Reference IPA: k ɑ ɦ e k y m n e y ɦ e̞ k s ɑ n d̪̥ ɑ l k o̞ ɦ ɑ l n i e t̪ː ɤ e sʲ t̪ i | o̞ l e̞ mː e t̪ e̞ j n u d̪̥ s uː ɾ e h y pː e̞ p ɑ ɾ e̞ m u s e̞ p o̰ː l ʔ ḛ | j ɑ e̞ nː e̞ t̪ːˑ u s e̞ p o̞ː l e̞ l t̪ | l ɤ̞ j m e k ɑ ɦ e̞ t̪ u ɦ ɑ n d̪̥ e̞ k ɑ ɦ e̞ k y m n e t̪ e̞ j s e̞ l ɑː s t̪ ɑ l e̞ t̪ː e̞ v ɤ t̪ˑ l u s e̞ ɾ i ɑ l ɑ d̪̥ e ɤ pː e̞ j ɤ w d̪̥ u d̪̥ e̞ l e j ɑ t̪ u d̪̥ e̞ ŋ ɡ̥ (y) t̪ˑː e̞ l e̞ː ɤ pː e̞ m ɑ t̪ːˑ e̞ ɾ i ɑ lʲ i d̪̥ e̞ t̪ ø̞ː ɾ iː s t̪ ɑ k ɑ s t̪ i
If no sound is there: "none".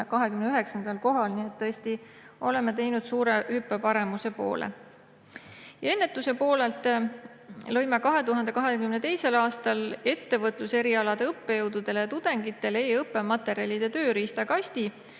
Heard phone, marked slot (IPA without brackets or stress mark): i